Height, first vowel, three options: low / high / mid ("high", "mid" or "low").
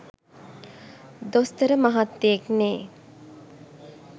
mid